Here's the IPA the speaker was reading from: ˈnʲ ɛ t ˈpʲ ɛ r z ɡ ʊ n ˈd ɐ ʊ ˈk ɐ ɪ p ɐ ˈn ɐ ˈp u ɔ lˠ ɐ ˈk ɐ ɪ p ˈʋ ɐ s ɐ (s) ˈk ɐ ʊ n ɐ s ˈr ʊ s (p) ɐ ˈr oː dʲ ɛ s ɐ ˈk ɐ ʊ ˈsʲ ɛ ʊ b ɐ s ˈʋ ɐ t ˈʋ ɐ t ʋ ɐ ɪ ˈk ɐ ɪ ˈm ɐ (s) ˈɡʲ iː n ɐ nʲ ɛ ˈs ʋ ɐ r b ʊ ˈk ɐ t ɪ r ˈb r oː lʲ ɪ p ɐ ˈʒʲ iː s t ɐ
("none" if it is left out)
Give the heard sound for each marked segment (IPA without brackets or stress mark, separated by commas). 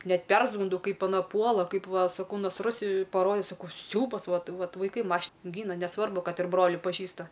none, p, ʃ